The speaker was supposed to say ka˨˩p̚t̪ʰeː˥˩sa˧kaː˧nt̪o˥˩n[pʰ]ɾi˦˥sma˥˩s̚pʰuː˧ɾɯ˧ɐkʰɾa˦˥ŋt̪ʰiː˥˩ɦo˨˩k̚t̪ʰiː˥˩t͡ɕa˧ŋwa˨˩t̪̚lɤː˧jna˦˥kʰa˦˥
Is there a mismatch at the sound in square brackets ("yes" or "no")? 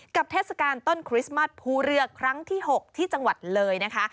yes